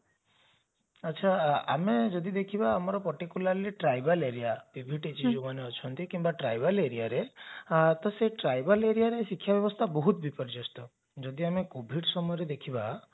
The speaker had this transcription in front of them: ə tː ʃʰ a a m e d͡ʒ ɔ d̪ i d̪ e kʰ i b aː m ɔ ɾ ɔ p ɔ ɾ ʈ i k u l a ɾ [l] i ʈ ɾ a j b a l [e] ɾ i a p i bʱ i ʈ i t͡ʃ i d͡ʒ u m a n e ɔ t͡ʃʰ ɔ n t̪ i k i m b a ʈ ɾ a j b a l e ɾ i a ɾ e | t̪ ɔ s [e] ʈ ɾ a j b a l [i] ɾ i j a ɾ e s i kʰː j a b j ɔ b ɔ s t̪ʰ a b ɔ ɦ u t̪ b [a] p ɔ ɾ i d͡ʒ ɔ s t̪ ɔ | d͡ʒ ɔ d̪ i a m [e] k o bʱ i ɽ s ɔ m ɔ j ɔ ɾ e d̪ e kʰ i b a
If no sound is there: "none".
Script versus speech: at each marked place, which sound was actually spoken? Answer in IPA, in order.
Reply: l, e, e, e, i, e

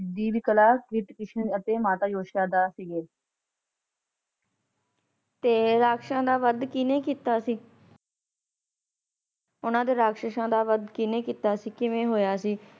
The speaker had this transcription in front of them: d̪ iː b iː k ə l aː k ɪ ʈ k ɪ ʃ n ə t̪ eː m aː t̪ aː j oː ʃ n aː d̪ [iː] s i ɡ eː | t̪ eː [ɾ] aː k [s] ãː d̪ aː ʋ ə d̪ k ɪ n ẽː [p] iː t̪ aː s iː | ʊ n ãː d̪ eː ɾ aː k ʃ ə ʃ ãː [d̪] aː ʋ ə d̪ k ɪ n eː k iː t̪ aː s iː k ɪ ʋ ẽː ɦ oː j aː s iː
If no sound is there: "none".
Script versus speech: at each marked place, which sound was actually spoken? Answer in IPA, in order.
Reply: aː, ɾ, ʃ, k, d̪

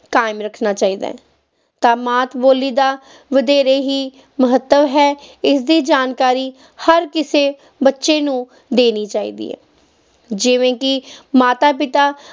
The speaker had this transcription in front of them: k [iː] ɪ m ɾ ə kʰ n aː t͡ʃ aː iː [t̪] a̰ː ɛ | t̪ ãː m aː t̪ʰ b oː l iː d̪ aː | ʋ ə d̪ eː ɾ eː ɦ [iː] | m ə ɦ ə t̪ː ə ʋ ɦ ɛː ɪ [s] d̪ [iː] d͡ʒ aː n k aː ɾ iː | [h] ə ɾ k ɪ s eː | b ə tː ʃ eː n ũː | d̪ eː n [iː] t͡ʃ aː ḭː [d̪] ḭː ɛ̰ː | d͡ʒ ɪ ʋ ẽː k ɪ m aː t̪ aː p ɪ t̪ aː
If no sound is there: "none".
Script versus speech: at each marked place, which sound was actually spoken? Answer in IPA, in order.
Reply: aː, d̪, iː, s, iː, h, iː, d̪

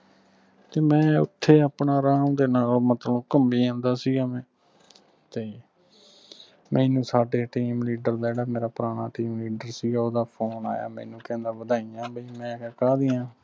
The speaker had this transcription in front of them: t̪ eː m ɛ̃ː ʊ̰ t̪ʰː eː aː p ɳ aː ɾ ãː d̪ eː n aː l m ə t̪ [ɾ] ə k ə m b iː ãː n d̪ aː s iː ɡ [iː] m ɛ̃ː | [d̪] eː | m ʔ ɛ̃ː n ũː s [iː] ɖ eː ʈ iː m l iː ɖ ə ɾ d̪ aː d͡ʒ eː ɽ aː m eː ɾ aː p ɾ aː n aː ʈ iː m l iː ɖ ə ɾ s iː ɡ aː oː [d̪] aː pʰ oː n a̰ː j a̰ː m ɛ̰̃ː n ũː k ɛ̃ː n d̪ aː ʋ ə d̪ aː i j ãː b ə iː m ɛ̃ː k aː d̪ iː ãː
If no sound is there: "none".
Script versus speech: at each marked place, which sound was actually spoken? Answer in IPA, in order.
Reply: l, aː, t̪, aː, d̪

